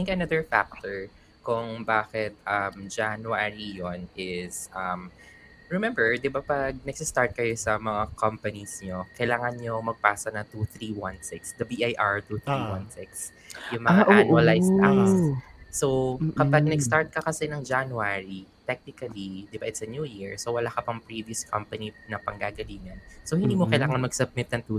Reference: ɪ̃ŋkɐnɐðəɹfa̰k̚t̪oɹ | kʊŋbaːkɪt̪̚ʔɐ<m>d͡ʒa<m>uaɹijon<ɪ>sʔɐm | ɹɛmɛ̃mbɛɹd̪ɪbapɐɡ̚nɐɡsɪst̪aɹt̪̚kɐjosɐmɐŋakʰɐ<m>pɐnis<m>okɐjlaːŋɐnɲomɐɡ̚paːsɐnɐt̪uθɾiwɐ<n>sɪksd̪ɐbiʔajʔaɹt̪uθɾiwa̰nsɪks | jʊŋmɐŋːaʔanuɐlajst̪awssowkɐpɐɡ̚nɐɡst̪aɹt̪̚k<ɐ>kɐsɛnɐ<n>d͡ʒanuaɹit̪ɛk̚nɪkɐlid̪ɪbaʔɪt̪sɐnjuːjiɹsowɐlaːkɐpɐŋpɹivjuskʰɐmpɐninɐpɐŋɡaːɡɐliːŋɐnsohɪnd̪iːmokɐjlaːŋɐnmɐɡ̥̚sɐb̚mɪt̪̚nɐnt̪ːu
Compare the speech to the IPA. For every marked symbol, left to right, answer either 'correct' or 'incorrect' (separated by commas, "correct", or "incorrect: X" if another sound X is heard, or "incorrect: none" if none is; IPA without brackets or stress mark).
correct, incorrect: n, correct, correct, incorrect: ɲ, correct, correct, incorrect: ŋ